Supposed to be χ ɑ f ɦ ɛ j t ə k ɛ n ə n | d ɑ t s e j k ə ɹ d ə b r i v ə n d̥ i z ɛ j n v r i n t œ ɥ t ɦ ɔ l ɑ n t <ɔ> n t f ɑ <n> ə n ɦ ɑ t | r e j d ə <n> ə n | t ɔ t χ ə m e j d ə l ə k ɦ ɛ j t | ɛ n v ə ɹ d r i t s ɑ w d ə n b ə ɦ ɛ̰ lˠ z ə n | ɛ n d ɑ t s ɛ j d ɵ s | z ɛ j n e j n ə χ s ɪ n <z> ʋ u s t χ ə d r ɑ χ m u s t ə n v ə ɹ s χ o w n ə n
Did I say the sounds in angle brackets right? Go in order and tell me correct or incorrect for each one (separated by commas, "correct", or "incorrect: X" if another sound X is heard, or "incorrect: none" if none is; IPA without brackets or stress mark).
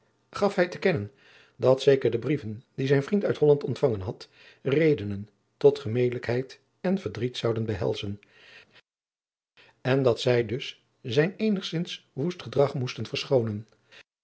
correct, incorrect: ŋ, correct, incorrect: s